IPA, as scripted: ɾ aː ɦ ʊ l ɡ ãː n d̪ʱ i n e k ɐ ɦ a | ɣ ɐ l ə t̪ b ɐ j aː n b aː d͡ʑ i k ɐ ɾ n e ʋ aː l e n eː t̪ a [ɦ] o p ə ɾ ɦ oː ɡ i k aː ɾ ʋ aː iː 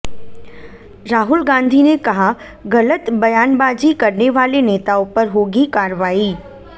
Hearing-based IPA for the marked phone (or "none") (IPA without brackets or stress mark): none